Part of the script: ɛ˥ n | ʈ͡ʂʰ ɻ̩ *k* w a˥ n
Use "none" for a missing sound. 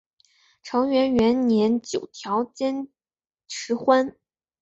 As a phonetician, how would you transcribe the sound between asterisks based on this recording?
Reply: x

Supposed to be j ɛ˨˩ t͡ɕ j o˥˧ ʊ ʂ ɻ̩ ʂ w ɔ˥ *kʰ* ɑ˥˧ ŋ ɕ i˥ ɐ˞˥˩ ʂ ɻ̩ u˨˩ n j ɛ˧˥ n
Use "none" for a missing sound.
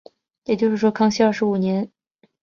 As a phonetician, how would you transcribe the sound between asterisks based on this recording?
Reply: kʰ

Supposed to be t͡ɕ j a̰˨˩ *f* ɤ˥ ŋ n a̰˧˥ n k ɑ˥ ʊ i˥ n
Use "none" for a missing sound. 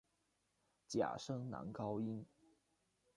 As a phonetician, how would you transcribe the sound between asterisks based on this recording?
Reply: ʂ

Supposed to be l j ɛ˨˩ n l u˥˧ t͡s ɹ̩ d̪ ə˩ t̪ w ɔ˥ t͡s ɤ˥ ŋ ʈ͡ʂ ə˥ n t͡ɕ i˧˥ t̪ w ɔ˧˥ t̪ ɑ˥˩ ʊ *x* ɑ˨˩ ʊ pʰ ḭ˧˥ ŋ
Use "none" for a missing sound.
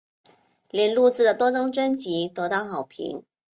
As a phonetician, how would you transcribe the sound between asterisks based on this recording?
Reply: x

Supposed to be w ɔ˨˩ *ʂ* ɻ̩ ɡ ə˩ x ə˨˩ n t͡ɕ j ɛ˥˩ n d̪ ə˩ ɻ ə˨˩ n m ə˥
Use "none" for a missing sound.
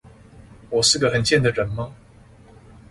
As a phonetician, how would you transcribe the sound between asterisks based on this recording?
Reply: ʂ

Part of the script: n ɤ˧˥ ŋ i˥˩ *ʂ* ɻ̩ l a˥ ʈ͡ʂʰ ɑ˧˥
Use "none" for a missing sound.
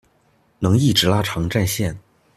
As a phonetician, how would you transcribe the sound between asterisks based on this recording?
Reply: ʈ͡ʂ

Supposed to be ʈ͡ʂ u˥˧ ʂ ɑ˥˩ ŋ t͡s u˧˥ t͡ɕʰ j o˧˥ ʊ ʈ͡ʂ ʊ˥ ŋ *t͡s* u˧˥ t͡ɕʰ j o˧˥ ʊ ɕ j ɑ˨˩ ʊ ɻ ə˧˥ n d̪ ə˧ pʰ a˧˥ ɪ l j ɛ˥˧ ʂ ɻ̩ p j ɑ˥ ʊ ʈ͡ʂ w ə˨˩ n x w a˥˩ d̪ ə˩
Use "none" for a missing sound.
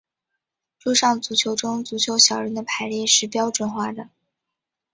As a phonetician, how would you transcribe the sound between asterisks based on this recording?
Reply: t͡s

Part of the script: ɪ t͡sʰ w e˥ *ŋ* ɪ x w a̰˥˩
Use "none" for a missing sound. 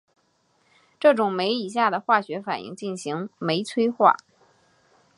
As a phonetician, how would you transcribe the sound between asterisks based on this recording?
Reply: none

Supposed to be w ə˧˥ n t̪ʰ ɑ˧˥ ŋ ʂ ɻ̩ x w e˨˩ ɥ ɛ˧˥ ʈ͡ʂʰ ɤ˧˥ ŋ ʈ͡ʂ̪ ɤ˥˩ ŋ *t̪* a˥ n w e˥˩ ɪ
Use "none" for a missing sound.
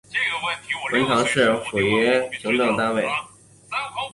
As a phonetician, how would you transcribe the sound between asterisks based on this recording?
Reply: t̪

